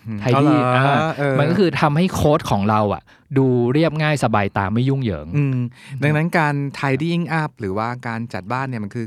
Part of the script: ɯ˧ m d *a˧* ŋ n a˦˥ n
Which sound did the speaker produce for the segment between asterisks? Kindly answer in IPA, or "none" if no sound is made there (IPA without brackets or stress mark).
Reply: a˧